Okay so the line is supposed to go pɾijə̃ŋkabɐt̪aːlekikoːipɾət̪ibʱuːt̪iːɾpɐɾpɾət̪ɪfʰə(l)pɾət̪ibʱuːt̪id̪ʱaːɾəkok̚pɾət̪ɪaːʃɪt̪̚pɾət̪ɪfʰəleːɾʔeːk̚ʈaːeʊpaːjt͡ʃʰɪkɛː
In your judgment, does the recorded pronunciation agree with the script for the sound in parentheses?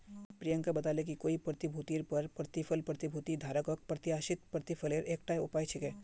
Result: yes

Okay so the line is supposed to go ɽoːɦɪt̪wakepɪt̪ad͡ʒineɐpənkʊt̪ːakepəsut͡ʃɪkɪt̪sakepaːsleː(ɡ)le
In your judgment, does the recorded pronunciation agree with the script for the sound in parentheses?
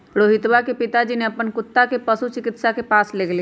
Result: yes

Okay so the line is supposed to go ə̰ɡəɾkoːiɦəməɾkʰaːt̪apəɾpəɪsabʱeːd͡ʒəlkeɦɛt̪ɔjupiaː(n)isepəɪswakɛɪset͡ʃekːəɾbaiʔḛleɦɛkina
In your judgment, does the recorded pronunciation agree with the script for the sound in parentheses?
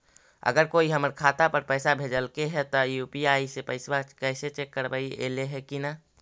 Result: no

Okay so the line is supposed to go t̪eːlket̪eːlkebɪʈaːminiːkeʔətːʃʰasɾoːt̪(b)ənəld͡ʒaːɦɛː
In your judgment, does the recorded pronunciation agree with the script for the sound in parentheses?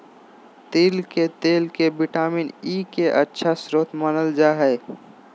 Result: no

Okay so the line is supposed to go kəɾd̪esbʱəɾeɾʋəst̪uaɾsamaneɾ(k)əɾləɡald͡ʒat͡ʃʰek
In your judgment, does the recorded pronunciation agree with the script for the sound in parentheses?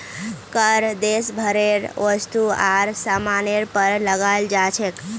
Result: no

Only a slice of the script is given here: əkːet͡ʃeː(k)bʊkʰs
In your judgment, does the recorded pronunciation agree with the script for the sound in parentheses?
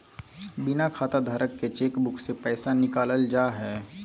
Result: yes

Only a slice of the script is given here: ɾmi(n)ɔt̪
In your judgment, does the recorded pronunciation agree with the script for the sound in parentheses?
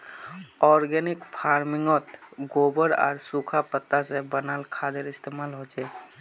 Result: no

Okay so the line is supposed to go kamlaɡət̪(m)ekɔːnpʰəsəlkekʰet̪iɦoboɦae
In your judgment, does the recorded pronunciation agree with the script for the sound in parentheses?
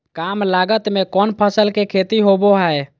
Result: yes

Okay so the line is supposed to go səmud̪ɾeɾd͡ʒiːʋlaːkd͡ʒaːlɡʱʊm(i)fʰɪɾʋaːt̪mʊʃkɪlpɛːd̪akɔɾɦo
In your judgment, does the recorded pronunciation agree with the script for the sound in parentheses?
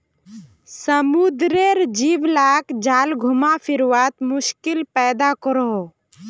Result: no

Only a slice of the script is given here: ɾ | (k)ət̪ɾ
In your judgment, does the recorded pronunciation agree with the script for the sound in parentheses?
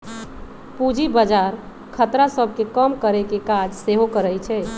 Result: no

